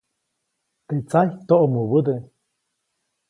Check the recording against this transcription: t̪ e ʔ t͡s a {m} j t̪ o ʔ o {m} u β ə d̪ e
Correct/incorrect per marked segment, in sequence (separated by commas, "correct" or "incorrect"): incorrect, correct